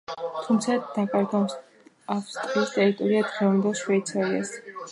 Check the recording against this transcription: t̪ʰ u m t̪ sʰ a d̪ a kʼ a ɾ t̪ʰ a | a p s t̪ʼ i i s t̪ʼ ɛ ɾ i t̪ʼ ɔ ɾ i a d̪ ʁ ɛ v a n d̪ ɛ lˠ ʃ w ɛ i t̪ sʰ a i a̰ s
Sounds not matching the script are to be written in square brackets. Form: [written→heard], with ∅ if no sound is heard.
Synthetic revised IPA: t̪ʰ u m t̪ sʰ a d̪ a kʼ a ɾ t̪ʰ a | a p s t̪ʼ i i s t̪ʼ ɛ ɾ i t̪ʼ ɔ ɾ i a d̪ ʁ ɛ v a n d̪ ɛ lˠ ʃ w ɛ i t̪ sʰ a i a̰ s